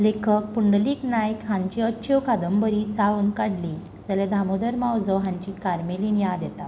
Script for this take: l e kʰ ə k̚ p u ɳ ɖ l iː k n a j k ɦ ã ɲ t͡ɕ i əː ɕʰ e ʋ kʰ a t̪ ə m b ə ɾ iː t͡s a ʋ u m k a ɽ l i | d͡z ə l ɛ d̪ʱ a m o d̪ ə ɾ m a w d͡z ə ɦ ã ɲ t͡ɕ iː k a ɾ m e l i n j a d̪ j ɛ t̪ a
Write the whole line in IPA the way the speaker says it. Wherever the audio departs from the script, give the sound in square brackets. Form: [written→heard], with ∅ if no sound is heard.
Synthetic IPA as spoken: l e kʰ ə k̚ p u ɳ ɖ l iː k n a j k ɦ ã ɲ t͡ɕ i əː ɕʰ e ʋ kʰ a [t̪→d̪] ə m b ə ɾ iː t͡s a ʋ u [m→n] k a ɽ l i | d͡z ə l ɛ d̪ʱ a m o d̪ ə ɾ m a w d͡z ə ɦ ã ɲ t͡ɕ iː k a ɾ m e l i n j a d̪ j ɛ t̪ a